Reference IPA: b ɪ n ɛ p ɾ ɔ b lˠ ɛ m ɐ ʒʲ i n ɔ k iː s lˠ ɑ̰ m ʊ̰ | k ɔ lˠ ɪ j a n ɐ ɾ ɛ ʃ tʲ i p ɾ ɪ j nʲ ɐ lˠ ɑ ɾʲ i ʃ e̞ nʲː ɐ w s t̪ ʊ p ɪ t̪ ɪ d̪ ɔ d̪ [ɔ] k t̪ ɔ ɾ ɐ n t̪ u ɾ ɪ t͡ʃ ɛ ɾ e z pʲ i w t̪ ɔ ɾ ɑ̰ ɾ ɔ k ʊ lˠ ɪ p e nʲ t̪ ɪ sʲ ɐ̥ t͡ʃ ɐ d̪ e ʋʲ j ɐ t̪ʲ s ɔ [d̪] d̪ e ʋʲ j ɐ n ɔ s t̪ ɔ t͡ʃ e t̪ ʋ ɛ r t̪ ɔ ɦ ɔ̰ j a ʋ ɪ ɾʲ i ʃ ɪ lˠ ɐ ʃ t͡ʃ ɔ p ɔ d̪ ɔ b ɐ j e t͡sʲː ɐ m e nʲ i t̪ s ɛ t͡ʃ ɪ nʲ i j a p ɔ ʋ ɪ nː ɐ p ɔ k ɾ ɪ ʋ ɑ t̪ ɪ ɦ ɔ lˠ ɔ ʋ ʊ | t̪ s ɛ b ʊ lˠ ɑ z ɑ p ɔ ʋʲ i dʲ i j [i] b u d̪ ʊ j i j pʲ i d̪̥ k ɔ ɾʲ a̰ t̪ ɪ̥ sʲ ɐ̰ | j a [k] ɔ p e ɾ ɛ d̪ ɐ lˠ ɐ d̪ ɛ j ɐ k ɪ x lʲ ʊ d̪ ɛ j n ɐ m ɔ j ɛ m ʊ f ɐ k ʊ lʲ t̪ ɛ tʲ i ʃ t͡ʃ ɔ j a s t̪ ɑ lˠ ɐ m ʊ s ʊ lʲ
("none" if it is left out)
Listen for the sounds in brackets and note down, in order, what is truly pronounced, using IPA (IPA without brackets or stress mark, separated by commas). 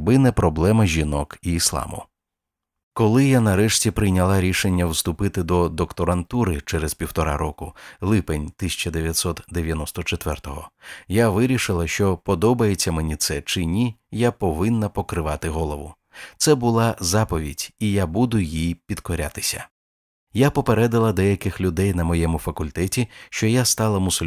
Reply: ɔ, t̪, a, p